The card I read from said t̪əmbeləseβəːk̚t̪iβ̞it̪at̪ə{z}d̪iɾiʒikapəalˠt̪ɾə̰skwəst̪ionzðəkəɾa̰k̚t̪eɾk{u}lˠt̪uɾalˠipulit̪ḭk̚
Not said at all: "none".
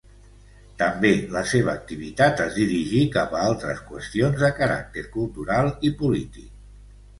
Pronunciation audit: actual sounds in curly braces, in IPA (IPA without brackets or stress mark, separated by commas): z, u